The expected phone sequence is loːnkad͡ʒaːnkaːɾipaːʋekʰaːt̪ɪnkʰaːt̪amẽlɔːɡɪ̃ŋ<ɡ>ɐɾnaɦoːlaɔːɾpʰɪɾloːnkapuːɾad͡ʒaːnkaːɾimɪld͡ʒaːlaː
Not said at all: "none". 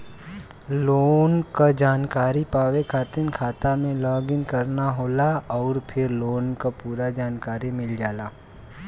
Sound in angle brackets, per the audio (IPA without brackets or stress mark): k